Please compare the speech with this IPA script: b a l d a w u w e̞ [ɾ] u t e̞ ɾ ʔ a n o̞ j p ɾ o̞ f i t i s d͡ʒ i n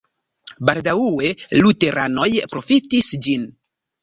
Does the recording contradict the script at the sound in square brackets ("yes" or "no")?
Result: yes